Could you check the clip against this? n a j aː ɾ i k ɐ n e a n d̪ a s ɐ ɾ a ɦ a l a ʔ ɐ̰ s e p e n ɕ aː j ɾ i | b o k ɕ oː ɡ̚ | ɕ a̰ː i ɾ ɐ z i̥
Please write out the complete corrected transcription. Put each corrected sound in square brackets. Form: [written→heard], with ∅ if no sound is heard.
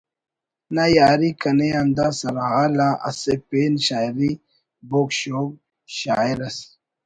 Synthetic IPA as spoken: n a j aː ɾ i k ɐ n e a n d̪ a s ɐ ɾ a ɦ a l a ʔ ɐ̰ s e p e n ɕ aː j ɾ i | b o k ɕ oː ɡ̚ | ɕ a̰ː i ɾ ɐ [z→s] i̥